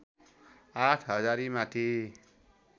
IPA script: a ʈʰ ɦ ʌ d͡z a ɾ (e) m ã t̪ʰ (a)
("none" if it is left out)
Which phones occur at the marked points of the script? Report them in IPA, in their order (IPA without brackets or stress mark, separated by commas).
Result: i, i